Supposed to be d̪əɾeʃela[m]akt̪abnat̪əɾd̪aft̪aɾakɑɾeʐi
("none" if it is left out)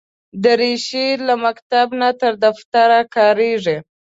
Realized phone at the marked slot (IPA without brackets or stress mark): m